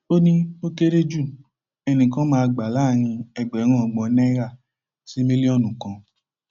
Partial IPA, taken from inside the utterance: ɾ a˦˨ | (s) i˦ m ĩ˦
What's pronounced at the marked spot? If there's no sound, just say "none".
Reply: s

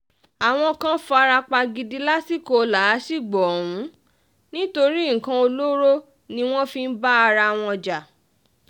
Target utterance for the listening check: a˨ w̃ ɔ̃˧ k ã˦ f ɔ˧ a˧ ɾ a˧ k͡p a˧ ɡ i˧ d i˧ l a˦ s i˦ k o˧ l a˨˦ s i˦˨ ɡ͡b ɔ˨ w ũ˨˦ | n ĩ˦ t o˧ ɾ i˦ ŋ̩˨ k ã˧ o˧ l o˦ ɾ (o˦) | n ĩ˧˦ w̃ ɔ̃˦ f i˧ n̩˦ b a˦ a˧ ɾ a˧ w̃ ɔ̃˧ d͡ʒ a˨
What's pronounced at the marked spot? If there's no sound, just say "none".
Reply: o˦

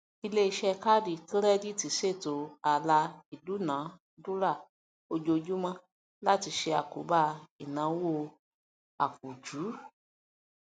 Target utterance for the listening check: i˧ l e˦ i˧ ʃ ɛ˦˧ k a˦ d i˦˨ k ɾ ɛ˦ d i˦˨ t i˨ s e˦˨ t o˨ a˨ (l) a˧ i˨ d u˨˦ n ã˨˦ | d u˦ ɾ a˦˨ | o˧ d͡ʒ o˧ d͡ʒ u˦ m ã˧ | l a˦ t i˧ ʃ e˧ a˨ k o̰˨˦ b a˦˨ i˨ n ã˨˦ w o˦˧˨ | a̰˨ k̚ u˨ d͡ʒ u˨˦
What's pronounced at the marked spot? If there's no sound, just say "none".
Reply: l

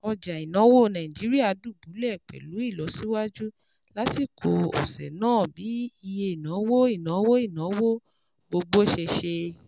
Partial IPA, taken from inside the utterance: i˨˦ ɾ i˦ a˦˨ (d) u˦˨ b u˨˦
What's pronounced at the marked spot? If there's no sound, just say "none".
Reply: d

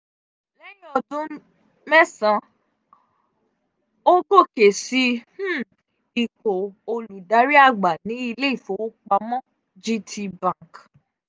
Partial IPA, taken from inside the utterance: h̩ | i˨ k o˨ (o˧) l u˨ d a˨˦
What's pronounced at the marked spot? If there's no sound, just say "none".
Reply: o˧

